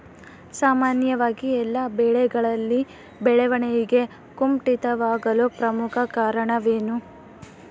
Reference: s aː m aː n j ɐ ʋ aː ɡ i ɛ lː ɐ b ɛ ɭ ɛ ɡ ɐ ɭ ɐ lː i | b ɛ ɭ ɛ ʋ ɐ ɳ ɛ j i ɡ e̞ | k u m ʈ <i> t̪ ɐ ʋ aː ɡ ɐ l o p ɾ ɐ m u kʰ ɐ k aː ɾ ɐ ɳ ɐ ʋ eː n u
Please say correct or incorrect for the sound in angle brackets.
correct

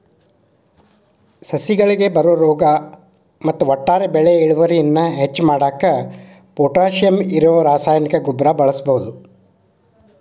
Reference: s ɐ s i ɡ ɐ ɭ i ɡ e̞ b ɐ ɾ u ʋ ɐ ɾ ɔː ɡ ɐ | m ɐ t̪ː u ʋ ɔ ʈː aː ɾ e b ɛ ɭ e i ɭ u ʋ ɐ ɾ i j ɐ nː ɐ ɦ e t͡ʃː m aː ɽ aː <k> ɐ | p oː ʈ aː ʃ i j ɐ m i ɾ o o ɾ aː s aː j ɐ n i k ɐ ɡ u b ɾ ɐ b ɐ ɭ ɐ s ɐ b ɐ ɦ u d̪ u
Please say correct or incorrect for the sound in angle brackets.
correct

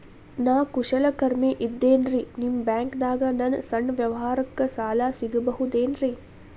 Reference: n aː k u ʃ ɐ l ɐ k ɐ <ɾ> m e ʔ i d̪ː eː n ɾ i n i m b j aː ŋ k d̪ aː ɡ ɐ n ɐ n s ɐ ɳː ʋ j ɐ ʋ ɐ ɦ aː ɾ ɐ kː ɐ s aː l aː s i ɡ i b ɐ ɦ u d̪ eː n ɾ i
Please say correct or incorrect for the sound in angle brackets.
correct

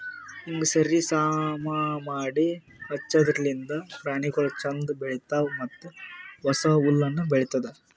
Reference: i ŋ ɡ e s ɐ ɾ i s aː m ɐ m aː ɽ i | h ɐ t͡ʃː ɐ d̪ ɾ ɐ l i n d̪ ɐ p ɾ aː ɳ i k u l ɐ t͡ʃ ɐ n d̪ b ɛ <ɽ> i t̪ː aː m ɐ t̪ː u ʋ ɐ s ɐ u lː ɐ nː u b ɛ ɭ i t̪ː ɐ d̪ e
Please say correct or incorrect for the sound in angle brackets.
incorrect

